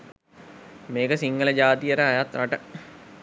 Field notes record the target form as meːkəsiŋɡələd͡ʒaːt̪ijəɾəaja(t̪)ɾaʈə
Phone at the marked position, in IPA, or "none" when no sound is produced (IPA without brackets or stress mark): t̪